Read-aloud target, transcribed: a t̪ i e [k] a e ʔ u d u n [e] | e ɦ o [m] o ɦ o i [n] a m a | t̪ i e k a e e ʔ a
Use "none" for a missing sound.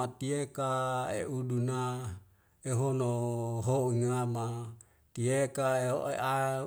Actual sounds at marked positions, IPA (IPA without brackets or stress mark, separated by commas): k, a, n, ŋ